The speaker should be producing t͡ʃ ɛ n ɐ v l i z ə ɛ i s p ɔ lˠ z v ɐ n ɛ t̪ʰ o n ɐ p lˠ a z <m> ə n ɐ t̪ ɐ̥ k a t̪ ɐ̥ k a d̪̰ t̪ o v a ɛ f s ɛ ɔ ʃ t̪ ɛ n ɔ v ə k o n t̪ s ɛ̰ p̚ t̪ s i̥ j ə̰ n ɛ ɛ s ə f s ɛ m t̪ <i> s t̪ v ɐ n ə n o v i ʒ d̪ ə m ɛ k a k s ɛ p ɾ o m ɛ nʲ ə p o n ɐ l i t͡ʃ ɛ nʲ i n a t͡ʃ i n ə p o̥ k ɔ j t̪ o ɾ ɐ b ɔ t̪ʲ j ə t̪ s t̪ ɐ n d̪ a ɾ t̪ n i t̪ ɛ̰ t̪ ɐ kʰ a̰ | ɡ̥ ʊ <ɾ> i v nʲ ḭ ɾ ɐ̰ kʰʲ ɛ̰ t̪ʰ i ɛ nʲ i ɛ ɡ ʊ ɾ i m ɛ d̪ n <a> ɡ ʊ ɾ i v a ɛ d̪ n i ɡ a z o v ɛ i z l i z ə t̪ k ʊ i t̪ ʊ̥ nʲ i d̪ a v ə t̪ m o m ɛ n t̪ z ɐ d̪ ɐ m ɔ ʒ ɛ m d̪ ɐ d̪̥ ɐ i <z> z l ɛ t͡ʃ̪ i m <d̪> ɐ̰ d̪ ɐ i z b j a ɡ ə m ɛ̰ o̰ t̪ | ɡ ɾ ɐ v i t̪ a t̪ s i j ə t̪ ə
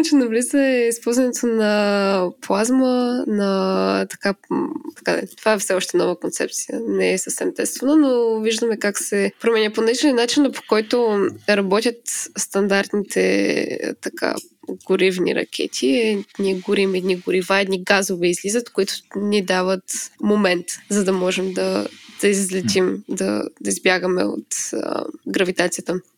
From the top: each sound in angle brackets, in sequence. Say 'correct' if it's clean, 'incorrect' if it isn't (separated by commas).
correct, incorrect, correct, incorrect, correct, correct